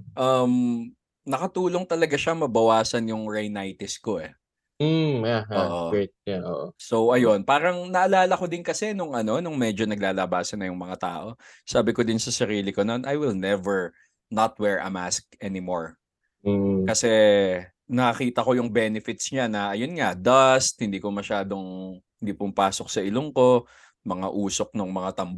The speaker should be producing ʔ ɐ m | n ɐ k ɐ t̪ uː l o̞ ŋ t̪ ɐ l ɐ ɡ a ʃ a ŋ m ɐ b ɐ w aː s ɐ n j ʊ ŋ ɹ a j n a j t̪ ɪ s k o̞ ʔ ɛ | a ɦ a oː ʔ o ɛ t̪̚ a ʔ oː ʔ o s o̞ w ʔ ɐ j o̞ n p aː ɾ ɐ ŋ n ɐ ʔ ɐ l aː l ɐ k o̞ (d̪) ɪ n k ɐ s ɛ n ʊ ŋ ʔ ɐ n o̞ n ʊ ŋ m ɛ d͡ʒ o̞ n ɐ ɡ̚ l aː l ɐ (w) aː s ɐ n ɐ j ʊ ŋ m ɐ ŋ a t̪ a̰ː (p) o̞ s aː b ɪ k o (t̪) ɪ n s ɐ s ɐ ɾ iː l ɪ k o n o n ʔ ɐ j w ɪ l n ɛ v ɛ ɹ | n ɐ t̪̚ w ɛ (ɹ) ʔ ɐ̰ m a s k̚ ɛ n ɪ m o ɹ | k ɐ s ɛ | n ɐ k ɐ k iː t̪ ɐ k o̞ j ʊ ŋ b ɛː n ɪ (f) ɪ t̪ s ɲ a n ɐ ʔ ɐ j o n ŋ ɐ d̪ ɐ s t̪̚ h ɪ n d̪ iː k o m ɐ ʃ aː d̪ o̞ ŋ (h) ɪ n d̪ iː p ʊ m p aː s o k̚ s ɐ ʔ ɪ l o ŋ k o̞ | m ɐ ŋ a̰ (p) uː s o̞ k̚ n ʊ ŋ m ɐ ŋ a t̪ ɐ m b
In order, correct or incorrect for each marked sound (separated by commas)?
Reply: correct, incorrect, incorrect, incorrect, correct, correct, correct, incorrect